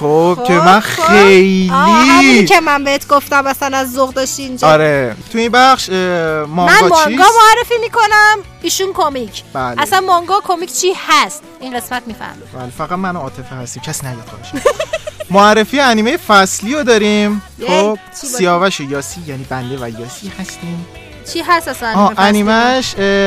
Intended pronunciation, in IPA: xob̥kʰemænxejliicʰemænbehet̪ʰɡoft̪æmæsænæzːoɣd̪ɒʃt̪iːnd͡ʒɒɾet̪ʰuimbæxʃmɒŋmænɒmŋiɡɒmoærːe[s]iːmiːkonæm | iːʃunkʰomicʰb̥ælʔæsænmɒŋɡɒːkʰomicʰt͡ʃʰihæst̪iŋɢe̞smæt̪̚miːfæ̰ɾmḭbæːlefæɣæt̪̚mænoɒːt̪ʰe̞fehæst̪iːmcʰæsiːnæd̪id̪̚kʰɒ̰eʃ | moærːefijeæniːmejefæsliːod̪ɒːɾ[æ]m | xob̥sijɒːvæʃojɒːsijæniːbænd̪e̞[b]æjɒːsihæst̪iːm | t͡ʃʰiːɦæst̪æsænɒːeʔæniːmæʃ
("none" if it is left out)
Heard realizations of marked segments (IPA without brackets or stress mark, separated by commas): f, i, v